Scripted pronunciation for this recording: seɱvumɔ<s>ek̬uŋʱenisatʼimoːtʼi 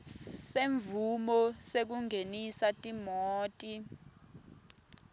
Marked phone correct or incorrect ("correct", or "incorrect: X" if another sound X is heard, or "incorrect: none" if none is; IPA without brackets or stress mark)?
correct